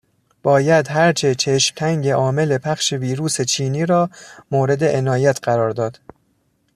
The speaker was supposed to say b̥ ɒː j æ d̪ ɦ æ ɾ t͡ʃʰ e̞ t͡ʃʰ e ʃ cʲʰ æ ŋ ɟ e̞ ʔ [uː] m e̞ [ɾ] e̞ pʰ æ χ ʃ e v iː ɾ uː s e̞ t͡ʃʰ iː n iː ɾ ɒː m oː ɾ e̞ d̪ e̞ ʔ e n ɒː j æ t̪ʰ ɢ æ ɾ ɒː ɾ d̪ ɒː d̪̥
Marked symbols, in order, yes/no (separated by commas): no, no